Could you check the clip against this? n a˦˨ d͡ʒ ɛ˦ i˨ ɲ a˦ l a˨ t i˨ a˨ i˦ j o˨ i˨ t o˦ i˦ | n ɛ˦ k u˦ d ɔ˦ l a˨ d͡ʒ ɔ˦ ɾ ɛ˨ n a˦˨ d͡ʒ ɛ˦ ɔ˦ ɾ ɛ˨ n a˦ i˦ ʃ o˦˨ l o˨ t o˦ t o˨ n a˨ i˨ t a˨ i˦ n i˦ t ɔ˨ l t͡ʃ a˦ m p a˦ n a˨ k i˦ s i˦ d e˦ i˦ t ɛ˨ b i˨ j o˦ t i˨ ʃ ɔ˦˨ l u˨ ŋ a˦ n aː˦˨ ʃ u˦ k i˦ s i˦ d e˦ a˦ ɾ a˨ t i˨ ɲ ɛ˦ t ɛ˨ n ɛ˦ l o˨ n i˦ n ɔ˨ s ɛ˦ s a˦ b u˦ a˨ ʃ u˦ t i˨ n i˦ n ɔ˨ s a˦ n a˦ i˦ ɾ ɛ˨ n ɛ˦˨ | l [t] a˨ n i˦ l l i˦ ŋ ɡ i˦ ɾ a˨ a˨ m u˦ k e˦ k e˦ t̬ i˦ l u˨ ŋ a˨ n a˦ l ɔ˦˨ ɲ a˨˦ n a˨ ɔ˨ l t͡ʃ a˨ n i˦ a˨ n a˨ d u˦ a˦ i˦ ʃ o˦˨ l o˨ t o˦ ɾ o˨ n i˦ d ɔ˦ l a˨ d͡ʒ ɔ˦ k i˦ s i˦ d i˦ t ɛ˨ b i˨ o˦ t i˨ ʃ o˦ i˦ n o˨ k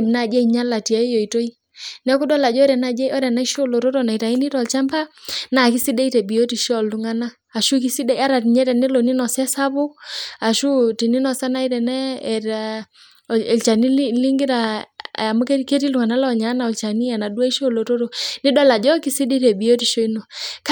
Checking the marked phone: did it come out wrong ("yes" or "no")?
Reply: yes